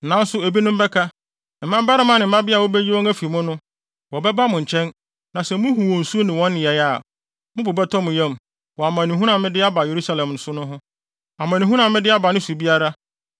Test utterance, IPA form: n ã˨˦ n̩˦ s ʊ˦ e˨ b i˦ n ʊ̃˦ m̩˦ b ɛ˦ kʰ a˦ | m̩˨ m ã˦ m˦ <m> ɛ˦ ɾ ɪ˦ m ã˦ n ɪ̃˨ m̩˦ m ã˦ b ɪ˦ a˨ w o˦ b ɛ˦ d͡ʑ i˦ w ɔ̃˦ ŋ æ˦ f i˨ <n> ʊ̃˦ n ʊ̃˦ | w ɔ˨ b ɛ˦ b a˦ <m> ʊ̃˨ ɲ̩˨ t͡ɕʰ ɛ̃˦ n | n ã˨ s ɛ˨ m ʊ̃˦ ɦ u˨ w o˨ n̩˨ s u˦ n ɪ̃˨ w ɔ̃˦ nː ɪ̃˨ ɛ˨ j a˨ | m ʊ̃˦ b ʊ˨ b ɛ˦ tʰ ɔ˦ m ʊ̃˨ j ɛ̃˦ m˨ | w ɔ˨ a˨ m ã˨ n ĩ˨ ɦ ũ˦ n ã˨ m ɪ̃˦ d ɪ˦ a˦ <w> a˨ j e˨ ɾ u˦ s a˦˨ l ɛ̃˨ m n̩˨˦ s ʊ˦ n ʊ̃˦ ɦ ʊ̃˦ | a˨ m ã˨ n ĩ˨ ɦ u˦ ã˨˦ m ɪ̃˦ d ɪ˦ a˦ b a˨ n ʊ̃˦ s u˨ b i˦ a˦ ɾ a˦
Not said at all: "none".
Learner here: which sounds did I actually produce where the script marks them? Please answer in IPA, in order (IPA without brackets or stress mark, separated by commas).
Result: b, m, m, b